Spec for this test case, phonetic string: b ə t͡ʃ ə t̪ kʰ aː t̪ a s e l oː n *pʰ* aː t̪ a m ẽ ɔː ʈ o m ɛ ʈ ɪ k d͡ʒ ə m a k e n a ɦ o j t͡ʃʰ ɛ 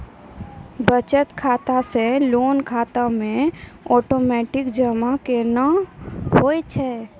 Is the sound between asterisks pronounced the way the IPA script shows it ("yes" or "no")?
no